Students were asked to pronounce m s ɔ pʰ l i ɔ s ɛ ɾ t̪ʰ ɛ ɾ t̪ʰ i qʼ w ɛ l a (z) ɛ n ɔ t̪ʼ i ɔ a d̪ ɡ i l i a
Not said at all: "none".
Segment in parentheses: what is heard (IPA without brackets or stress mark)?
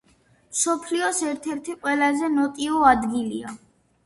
z